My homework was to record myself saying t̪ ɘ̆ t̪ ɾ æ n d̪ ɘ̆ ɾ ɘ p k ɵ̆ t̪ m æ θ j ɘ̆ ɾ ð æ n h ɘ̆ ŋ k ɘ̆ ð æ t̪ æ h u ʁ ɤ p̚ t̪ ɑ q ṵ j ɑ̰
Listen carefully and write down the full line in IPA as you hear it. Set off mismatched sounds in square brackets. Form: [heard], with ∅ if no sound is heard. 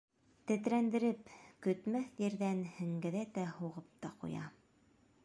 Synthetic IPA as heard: t̪ ɘ̆ t̪ ɾ æ n d̪ ɘ̆ ɾ ɘ p k ɵ̆ t̪ m æ θ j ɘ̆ ɾ ð æ n h ɘ̆ ŋ [ɡ] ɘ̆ ð æ t̪ æ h u ʁ ɤ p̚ t̪ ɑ q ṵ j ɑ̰